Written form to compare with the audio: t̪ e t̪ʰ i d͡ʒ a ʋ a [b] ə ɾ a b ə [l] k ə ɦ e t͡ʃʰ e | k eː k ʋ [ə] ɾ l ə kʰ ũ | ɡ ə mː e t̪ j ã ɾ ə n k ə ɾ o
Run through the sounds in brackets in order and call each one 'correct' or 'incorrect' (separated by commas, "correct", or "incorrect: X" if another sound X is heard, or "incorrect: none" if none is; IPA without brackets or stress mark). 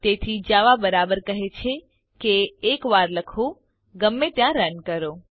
correct, incorrect: ɾ, incorrect: a